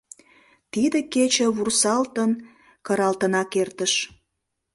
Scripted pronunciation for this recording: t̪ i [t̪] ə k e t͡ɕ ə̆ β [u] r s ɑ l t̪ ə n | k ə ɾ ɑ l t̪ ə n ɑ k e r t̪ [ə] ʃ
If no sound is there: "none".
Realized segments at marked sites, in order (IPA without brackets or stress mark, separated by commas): d̪, u, ə